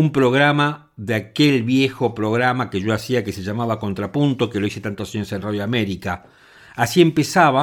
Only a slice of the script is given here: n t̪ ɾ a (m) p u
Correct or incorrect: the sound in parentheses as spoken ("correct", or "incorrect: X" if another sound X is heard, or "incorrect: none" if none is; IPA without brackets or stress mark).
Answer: incorrect: none